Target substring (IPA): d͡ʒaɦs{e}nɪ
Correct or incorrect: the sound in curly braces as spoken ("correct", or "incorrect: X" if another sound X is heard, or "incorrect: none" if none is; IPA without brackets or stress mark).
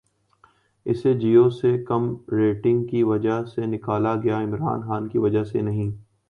correct